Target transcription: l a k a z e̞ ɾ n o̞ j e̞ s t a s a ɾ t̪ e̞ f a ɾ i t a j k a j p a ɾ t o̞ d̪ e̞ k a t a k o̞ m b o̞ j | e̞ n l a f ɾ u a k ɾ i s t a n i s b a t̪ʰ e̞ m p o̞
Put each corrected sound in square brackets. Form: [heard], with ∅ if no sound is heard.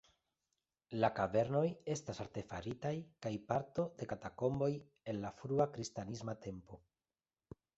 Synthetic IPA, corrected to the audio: l a k a [v] e̞ ɾ n o̞ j e̞ s t a s a ɾ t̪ e̞ f a ɾ i t a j k a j p a ɾ t o̞ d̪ e̞ k a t a k o̞ m b o̞ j | e̞ n l a f ɾ u a k ɾ i s t a n i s [m] a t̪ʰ e̞ m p o̞

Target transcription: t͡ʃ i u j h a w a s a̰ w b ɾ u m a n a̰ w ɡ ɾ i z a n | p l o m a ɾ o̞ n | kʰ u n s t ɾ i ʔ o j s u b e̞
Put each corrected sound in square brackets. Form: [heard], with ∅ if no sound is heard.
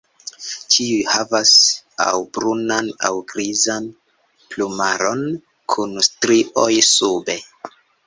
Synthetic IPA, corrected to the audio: t͡ʃ i u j h a [v] a s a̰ w b ɾ u [n] a n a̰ w ɡ ɾ i z a n | p l [u] m a ɾ o̞ n | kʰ u n s t ɾ i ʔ o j s u b e̞

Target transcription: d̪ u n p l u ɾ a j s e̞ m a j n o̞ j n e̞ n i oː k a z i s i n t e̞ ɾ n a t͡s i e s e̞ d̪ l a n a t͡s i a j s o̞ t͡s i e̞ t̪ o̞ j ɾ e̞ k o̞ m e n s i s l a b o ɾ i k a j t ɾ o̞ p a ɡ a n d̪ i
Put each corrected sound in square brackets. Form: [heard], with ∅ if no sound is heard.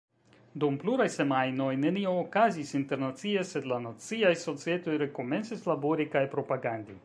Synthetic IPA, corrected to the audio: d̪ u [m] p l u ɾ a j s e̞ m a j n o̞ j n e̞ n i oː k a z i s i n t e̞ ɾ n a t͡s i e s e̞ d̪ l a n a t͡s i a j s o̞ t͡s i e̞ t̪ o̞ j ɾ e̞ k o̞ m e n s i s l a b o ɾ i k a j [p] ɾ o̞ p a ɡ a n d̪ i

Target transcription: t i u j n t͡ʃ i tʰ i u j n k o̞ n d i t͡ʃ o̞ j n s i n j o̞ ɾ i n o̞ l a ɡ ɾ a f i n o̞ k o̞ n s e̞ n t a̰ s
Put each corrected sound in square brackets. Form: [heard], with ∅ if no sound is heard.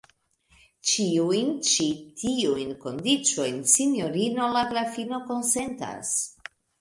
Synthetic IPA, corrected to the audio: [t͡ʃ] i u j n t͡ʃ i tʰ i u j n k o̞ n d i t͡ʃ o̞ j n s i n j o̞ ɾ i n o̞ l a ɡ ɾ a f i n o̞ k o̞ n s e̞ n t a̰ s

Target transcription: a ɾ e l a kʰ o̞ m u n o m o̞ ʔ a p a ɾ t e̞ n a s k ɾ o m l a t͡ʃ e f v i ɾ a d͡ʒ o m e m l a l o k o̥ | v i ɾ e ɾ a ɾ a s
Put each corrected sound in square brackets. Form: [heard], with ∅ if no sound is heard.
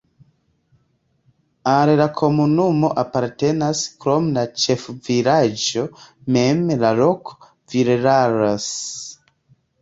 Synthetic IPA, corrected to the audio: a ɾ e l a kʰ o̞ m u n [u] m o̞ ʔ a p a ɾ t e̞ n a s k ɾ o m l a t͡ʃ e f v i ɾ a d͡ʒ o m e m l a l o k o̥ | v i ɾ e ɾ a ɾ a s

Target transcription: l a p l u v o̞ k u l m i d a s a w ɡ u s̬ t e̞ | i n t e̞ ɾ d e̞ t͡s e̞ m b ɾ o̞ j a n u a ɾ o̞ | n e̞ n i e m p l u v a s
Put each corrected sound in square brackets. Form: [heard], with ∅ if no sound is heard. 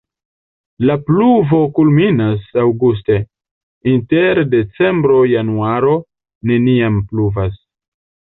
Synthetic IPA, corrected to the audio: l a p l u v o̞ k u l m i [n] a s a w ɡ u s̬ t e̞ | i n t e̞ ɾ d e̞ t͡s e̞ m b ɾ o̞ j a n u a ɾ o̞ | n e̞ n i [a] m p l u v a s

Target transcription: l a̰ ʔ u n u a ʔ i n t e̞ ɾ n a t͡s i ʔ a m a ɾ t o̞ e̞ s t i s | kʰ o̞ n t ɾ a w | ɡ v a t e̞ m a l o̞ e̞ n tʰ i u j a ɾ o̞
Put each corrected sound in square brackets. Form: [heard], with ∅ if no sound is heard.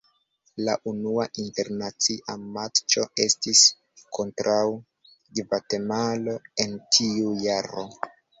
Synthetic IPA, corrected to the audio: l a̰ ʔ u n u a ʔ i n t e̞ ɾ n a t͡s i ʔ a m a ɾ [t͡ʃ] o̞ e̞ s t i s | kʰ o̞ n t ɾ a w | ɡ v a t e̞ m a l o̞ e̞ n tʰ i u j a ɾ o̞

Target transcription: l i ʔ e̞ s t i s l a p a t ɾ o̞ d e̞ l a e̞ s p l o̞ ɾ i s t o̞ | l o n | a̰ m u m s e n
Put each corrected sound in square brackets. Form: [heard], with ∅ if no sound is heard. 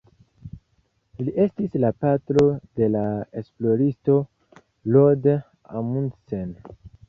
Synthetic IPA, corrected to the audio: l i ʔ e̞ s t i s l a p a t ɾ o̞ d e̞ l a e̞ s p l o̞ ɾ i s t o̞ | l o [d] | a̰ m u [n] s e n

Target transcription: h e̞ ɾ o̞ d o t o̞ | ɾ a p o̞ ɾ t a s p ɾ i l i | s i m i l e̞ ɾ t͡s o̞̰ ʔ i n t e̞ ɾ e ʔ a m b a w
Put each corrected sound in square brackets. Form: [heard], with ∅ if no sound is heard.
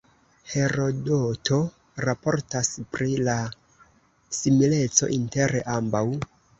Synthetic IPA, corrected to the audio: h e̞ ɾ o̞ d o t o̞ | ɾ a p o̞ ɾ t a s p ɾ i l [a] | s i m i l e̞ [∅] t͡s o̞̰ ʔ i n t e̞ ɾ e ʔ a m b a w

